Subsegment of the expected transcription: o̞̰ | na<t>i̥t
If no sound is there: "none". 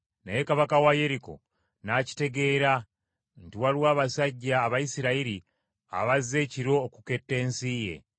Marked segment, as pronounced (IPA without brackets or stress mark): c